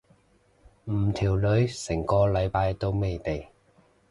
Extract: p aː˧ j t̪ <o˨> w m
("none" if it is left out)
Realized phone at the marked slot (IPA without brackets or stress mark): o˥